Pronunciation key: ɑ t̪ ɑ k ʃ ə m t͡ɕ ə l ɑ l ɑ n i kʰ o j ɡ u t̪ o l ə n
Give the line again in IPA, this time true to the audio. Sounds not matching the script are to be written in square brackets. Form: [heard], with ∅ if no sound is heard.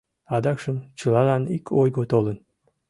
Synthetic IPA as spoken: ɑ [d̪] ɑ k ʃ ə m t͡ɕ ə l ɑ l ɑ n i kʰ o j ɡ [o] t̪ o l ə n